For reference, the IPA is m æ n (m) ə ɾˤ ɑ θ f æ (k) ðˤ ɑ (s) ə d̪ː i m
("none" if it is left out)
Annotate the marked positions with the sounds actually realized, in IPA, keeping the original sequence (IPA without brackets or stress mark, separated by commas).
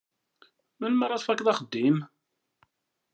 m, k, χ